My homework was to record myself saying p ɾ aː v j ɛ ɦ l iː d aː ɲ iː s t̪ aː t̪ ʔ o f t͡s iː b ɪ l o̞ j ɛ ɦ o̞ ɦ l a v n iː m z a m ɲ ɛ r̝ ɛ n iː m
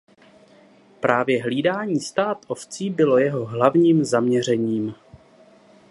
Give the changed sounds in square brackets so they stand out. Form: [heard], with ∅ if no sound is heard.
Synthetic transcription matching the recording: p ɾ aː v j ɛ ɦ l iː d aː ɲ iː s t̪ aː t̪ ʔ o f t͡s iː b ɪ l o̞ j ɛ ɦ o̞ ɦ l a v [ɲ] iː m z a m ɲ ɛ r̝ ɛ [ɲ] iː m